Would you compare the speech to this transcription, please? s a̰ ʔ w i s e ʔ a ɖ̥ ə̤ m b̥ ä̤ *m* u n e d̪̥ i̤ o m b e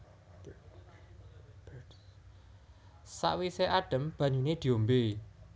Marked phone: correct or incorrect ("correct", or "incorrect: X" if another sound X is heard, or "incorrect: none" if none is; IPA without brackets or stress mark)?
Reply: incorrect: ɲ